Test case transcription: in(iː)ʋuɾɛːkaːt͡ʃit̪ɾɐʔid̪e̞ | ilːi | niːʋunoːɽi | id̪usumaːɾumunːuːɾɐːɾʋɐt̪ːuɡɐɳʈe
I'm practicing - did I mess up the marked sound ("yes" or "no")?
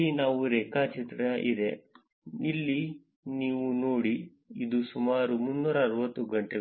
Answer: yes